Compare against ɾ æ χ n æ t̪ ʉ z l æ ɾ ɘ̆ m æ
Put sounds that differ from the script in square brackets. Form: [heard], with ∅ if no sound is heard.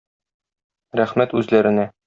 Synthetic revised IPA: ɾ æ χ [m] æ t̪ ʉ z l æ ɾ ɘ̆ [n] æ